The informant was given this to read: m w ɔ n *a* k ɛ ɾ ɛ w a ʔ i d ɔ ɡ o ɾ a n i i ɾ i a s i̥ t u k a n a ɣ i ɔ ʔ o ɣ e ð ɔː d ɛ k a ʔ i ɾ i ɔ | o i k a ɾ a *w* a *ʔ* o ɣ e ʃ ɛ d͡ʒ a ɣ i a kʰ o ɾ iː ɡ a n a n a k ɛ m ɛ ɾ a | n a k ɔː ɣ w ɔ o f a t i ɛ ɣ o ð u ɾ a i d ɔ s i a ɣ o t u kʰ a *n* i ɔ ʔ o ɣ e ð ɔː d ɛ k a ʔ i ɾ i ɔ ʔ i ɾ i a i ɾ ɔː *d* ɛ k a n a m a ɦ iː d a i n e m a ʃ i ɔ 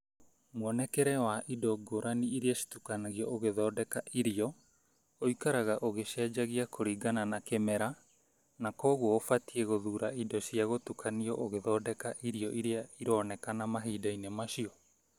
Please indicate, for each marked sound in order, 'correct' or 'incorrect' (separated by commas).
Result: incorrect, incorrect, correct, correct, incorrect